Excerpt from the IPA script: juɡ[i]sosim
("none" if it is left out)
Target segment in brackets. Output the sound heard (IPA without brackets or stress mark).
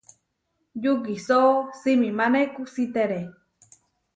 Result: i